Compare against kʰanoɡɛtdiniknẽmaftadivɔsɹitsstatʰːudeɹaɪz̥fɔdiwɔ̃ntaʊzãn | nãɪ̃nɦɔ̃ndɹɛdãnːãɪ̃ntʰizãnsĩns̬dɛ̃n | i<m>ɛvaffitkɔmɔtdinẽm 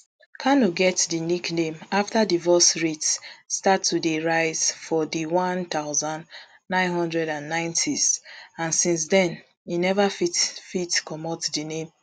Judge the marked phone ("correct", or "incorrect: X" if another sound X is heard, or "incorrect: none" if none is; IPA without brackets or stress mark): incorrect: n